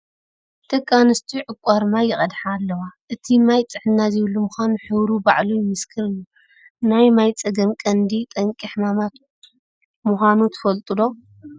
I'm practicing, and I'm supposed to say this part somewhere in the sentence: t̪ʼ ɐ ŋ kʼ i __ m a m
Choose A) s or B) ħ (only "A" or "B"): B